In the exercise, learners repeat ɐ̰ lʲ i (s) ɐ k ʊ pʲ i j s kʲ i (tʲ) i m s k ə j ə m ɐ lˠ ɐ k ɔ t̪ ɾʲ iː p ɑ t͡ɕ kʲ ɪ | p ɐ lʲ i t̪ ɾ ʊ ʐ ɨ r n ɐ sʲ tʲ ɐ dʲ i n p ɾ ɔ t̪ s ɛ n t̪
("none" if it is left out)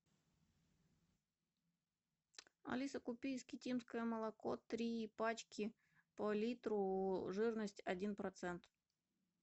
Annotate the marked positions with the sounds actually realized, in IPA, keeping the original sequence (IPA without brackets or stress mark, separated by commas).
s, tʲ